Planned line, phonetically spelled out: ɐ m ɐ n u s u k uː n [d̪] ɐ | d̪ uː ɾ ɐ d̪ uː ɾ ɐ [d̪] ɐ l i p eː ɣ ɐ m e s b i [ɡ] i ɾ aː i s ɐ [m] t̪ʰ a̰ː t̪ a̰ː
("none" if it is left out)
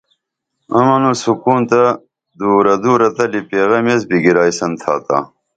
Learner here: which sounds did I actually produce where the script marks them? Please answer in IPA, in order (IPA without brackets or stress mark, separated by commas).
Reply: t̪, t̪, ɡ, n